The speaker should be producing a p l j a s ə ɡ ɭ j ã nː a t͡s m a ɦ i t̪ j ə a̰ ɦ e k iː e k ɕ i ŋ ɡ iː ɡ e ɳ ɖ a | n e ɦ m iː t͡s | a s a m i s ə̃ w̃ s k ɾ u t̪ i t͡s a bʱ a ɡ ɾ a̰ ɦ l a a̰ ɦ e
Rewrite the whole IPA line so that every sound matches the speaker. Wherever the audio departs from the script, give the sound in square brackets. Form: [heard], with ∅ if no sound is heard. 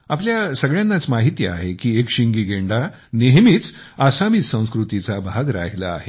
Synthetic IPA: a p l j a s ə ɡ ɭ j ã nː a t͡s m a ɦ i t̪ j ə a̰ ɦ e k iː e k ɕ i ŋ ɡ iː ɡ e ɳ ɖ a | n e ɦ m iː t͡s | a s a m i s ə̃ w̃ s k ɾ u t̪ i t͡s a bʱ a ɡ ɾ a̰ ɦ l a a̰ ɦ e